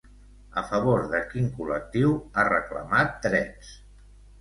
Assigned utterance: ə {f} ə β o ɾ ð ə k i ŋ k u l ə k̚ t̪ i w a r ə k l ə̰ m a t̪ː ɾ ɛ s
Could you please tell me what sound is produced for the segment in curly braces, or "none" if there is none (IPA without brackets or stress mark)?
f